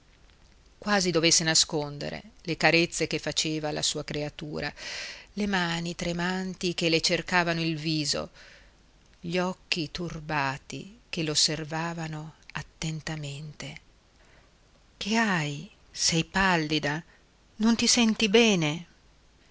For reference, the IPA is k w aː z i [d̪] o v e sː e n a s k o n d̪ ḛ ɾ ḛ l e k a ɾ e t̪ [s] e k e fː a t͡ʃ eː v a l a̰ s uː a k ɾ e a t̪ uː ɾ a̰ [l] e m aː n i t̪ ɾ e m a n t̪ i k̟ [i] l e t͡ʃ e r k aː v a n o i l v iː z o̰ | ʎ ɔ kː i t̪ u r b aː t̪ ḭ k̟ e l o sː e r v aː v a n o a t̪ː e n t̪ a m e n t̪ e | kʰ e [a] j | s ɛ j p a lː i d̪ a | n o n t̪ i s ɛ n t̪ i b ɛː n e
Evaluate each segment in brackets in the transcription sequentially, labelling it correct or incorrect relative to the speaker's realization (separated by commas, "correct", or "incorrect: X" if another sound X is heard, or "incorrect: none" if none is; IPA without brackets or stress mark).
correct, incorrect: sː, correct, incorrect: e, correct